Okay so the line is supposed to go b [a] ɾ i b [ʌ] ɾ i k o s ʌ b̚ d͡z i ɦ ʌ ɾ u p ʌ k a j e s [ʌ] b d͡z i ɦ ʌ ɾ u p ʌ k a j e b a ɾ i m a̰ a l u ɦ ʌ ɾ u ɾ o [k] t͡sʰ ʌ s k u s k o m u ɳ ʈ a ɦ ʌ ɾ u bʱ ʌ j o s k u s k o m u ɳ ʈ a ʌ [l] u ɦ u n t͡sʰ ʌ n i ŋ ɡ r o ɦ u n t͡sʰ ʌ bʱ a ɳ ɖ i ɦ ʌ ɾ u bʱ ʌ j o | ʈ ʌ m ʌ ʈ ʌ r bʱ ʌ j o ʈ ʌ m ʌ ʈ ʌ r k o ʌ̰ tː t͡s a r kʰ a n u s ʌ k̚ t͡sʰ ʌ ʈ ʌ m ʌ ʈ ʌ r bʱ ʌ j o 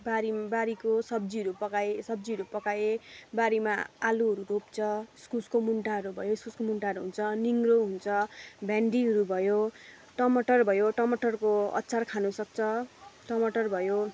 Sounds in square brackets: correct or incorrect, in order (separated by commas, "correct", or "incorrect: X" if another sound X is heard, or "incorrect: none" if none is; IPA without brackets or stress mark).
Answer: correct, incorrect: a, correct, incorrect: p, incorrect: ɾ